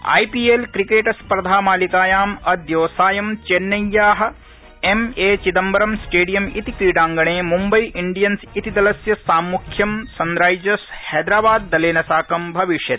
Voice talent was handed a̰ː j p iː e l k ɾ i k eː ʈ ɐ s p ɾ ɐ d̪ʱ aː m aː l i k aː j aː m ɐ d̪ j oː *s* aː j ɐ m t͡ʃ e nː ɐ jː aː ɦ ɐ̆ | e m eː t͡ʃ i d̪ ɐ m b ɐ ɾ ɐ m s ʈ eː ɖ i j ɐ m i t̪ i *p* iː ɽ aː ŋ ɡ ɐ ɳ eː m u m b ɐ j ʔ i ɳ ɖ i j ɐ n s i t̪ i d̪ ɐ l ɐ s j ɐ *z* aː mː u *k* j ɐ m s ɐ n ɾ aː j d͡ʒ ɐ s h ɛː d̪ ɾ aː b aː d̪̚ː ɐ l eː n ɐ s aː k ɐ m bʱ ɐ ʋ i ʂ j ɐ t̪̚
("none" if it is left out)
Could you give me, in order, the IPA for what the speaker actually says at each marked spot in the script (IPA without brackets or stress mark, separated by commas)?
s, k, s, kʰ